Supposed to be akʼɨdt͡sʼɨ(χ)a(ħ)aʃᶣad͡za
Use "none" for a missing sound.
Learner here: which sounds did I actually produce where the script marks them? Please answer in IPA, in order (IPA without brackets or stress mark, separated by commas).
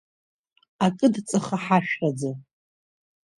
χ, ħ